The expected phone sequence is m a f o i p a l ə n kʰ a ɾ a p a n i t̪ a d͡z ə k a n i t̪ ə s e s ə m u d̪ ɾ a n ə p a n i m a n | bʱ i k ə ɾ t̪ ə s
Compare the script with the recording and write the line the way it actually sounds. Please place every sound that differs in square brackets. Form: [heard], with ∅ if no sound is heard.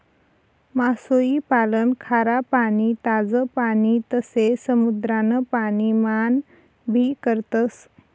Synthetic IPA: m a [s] o i p a l ə n kʰ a ɾ a p a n i t̪ a d͡z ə [p] a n i t̪ ə s e s ə m u d̪ ɾ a n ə p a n i m a n | bʱ i k ə ɾ t̪ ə s